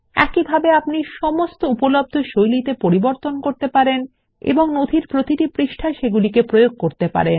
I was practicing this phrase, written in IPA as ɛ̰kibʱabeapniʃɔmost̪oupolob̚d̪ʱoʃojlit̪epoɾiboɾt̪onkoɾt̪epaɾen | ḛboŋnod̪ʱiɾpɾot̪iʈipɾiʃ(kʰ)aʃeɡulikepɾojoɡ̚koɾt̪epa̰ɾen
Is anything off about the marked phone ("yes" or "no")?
yes